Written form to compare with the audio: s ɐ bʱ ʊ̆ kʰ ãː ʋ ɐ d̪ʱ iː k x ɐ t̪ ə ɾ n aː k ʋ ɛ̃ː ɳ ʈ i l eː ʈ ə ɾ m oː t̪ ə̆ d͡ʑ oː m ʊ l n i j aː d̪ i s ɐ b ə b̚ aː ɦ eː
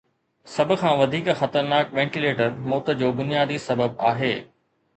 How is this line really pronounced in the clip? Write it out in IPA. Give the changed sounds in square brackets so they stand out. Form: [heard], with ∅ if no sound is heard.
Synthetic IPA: s ɐ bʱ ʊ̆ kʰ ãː ʋ ɐ d̪ʱ iː k x ɐ t̪ ə ɾ n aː k ʋ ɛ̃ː ɳ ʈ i l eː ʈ ə ɾ m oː t̪ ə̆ d͡ʑ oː [b] ʊ [∅] n i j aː d̪ i s ɐ b ə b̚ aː ɦ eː